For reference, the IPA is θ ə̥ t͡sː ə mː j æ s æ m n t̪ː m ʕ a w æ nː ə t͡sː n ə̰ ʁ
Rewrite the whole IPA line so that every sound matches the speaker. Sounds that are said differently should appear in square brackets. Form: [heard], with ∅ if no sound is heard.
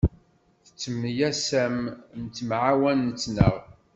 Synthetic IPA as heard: θ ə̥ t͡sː ə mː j æ s æ m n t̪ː m ʕ a w æ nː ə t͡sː n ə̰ ʁ